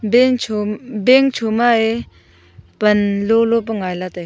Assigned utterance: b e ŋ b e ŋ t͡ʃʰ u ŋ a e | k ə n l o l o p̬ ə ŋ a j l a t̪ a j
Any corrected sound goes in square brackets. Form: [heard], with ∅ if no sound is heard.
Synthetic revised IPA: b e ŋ b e ŋ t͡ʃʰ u [m] a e | [p] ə n l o l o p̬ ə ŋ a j l a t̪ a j